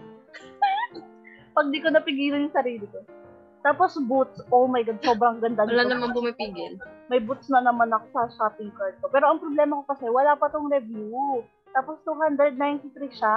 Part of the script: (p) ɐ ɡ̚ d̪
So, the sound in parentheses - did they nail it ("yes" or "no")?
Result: yes